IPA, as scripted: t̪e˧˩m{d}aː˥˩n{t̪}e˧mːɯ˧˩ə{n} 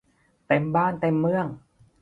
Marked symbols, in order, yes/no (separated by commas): no, yes, no